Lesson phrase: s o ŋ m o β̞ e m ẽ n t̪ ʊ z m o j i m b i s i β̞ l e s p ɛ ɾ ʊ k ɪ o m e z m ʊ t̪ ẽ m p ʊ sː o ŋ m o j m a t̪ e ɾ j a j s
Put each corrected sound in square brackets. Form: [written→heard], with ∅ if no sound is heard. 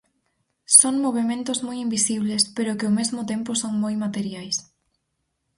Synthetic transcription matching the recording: s o ŋ m o β̞ e m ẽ n t̪ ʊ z m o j i m b i s i β̞ l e s p [ɛ→e] ɾ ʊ k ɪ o m e z m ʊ t̪ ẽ m p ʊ [sː→s] o ŋ m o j m a t̪ e ɾ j a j s